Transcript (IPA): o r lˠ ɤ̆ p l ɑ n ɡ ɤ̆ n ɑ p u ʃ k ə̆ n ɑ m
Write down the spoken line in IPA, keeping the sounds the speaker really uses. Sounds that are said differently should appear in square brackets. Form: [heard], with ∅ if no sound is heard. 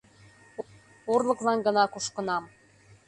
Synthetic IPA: o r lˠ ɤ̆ [k] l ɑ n ɡ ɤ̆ n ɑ [k] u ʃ k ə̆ n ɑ m